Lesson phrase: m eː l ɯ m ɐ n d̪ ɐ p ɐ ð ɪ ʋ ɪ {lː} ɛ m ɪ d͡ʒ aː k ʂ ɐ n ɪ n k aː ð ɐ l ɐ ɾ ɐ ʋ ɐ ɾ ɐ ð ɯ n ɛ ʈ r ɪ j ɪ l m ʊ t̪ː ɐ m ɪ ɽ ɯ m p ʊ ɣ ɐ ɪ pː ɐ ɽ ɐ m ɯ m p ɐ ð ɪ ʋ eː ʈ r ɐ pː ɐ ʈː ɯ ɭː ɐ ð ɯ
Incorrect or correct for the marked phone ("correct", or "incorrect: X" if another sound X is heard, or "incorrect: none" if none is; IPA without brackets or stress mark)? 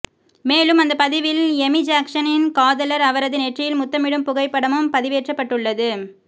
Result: incorrect: l